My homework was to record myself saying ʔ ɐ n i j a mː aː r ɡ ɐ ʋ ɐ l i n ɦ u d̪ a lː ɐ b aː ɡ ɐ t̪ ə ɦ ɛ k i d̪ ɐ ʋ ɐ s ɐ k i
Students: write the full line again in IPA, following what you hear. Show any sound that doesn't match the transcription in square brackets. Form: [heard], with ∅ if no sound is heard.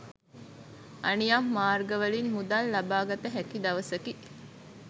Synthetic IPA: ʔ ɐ n i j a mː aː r ɡ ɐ ʋ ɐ l i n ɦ u d̪ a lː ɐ b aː ɡ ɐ t̪ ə ɦ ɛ k i d̪ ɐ ʋ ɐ s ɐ k i